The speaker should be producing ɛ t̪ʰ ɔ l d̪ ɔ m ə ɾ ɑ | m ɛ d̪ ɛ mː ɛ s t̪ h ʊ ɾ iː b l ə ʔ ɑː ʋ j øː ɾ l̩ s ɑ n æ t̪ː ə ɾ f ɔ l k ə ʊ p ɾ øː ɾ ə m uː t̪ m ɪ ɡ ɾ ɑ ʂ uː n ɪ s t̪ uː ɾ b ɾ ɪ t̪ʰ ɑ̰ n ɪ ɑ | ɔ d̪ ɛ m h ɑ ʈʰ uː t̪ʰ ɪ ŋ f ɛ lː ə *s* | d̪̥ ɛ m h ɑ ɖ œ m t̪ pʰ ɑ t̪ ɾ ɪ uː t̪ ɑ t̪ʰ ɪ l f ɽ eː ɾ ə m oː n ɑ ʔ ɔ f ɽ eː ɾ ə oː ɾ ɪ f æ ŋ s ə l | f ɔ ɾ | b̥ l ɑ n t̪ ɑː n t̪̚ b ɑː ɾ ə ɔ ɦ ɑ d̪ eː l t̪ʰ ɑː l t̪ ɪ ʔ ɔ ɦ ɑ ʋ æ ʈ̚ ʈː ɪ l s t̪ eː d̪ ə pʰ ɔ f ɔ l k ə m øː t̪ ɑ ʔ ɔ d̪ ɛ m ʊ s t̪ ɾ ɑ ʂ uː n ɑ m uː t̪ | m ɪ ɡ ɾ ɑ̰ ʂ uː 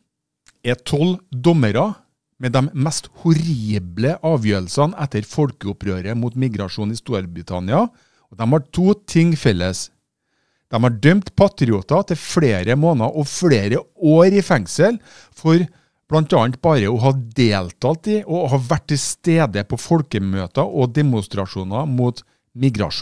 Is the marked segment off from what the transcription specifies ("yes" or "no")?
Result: no